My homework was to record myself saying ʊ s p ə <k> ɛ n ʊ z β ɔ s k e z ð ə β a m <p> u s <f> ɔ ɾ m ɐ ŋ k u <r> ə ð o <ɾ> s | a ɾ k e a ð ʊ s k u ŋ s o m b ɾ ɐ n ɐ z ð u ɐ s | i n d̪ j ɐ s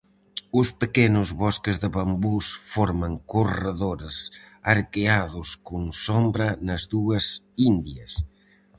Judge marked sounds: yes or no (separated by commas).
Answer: yes, no, yes, yes, yes